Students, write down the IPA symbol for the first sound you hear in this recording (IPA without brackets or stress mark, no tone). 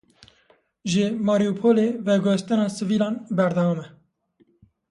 ʒ